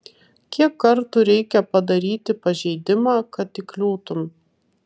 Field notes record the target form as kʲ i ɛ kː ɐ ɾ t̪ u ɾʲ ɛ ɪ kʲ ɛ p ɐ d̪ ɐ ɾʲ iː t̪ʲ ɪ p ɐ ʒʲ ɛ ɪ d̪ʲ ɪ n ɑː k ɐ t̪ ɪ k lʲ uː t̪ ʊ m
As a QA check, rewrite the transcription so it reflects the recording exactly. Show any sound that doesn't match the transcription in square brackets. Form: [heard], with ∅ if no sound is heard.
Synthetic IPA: kʲ i ɛ kː ɐ ɾ t̪ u ɾʲ ɛ ɪ kʲ ɛ p ɐ d̪ ɐ ɾʲ iː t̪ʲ ɪ p ɐ ʒʲ ɛ ɪ d̪ʲ ɪ [m] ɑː k ɐ t̪ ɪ k lʲ uː t̪ ʊ m